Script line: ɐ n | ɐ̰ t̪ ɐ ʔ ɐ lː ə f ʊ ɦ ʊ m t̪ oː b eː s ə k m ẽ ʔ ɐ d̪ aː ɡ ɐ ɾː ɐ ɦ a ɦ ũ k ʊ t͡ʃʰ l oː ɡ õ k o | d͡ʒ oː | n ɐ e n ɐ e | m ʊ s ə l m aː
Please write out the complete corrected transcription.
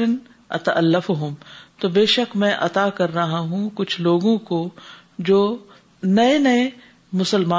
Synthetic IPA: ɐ n | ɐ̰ t̪ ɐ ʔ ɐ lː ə f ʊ ɦ ʊ m t̪ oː b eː ʃ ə k m ɛ̃ ʔ ɐ t̪ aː k ɐ ɾː ɐ ɦ a ɦ ũ k ʊ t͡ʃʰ l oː ɡ õ k o | d͡ʒ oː | n ɐ e n ɐ e | m ʊ s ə l m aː